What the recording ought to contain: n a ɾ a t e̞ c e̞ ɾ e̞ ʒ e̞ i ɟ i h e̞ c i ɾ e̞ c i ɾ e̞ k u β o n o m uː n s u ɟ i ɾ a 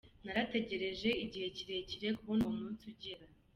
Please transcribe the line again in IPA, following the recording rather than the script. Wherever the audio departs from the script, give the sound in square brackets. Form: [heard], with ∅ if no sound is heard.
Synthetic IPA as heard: n a ɾ a t e̞ [ɟ] e̞ ɾ e̞ ʒ e̞ i ɟ i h e̞ c i ɾ e̞ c i ɾ e̞ k u β o n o m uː n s u ɟ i ɾ a